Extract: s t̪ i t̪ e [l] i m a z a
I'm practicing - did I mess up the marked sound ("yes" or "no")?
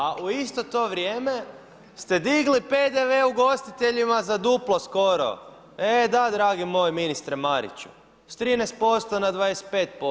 yes